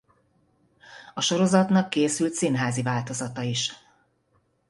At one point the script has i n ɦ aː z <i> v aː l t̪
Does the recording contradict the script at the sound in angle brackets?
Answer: no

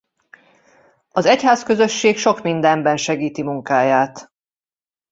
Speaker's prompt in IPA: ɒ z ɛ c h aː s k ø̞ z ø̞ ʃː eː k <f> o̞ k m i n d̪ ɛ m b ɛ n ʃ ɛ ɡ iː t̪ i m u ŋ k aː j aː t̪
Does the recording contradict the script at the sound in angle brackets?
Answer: yes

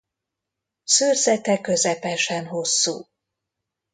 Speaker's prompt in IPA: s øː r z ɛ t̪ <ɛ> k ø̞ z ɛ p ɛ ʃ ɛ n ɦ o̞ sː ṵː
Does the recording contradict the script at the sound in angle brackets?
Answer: no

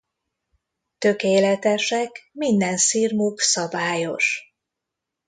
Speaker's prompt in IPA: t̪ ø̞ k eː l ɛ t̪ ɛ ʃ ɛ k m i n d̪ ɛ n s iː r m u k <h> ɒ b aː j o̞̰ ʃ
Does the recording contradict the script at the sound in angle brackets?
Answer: yes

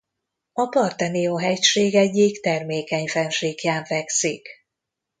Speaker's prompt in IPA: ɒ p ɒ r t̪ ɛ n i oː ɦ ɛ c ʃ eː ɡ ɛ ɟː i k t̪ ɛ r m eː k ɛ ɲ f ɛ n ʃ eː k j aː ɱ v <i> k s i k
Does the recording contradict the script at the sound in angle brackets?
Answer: yes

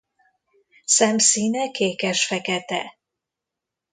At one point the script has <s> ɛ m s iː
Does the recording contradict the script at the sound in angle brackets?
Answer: no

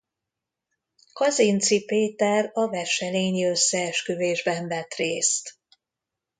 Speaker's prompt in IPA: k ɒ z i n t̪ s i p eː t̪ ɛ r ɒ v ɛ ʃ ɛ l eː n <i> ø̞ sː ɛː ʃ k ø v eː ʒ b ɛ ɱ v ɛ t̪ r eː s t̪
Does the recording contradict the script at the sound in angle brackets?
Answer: no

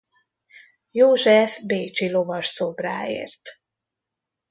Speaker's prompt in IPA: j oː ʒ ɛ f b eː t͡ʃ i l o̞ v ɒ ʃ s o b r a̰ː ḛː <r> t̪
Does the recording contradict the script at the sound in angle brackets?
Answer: no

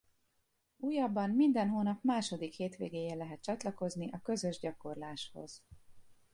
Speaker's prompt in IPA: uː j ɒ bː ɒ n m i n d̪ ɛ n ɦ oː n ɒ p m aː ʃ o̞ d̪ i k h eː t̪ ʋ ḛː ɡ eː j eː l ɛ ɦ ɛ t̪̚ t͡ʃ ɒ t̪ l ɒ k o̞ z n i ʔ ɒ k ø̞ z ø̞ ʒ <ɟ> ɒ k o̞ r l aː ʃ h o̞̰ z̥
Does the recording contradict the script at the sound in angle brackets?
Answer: no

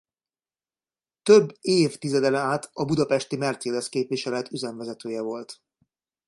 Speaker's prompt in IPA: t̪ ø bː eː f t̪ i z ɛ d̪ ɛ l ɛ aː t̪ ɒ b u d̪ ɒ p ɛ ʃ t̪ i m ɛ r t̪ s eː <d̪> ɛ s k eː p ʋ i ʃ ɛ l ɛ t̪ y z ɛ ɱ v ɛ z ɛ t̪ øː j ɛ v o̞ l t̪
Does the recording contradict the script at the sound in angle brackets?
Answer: no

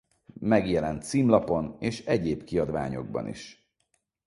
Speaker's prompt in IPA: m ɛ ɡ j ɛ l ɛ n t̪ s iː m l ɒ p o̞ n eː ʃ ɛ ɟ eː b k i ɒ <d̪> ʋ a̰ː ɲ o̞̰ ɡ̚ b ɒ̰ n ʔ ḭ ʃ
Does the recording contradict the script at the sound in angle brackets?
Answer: no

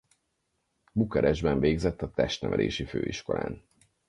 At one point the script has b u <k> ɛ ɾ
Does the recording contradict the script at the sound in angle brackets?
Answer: no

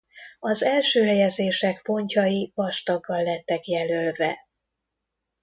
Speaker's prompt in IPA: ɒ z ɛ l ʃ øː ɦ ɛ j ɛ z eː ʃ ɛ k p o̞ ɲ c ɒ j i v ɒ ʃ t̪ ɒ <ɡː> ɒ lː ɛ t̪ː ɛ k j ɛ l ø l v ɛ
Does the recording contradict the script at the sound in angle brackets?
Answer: no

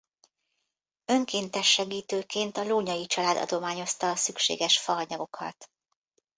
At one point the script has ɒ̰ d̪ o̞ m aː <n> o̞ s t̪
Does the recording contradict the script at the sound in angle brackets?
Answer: yes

